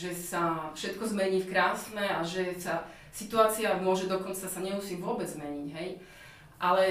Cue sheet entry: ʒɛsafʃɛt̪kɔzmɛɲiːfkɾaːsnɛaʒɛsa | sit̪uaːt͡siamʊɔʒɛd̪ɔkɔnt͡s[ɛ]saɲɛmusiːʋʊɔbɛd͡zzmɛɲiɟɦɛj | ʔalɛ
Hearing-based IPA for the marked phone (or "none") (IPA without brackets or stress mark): a